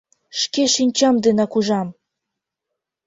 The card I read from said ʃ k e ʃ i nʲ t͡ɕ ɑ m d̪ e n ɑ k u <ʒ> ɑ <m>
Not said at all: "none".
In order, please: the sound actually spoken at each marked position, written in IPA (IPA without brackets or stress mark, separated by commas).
ʒ, m